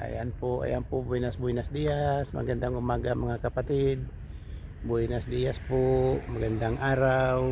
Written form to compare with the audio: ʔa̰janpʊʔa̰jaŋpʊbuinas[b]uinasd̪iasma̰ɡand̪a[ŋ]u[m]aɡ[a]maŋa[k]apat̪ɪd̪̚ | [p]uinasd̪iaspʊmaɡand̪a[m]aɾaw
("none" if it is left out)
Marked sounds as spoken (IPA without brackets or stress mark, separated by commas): b, ŋ, m, a, k, b, ŋ